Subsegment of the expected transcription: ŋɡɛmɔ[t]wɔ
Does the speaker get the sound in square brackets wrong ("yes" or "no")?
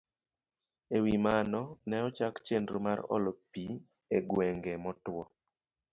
no